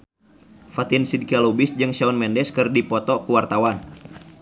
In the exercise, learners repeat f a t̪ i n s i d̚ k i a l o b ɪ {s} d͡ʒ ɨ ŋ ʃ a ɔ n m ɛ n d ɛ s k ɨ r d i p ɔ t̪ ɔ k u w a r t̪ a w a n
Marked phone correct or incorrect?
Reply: correct